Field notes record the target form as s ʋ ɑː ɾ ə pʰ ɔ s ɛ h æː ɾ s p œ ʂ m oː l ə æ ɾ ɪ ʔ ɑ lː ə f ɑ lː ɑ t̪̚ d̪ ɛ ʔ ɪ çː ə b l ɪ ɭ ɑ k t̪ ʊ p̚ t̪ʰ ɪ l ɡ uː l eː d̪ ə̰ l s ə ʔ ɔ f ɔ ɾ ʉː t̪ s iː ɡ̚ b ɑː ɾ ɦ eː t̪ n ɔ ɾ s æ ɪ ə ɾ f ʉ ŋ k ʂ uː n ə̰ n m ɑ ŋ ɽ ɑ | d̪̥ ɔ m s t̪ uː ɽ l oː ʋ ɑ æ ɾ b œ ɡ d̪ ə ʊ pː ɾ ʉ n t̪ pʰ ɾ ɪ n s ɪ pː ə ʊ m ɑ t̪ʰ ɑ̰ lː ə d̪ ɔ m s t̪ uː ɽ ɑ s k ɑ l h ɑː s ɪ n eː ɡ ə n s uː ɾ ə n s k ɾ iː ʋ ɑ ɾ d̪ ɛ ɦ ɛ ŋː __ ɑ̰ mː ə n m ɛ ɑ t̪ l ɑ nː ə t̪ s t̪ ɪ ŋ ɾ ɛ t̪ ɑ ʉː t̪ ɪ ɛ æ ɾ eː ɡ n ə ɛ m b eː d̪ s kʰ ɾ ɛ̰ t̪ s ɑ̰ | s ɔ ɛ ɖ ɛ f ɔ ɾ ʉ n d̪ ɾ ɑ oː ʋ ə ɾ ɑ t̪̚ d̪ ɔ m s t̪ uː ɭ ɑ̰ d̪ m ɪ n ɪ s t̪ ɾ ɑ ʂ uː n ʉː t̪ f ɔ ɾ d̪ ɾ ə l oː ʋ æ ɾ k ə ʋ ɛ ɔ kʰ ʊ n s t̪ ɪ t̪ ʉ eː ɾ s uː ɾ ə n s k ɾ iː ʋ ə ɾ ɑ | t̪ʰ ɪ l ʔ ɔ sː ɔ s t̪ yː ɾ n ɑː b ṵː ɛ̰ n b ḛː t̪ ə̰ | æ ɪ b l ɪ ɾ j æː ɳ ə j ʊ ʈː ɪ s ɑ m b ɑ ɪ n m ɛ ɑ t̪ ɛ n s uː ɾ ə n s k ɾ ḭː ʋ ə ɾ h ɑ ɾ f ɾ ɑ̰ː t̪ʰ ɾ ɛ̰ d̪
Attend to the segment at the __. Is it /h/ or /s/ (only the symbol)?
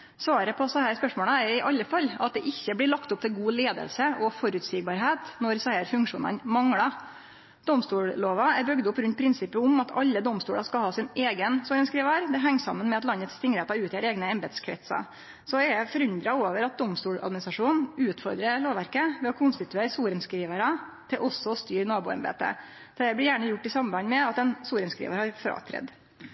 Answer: s